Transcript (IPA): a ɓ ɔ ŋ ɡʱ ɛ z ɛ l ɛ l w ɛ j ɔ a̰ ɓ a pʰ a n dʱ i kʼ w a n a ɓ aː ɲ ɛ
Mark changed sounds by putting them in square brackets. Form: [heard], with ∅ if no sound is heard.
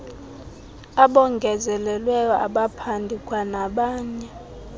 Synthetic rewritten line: a ɓ ɔ ŋ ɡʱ ɛ z ɛ l ɛ l w ɛ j ɔ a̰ ɓ a pʰ a n dʱ i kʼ w a n a ɓ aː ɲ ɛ